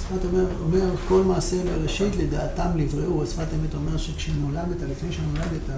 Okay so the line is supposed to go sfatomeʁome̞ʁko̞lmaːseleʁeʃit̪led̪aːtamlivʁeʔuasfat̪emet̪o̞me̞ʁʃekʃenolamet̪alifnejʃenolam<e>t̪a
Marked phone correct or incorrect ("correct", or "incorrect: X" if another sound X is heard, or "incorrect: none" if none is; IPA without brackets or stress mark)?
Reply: correct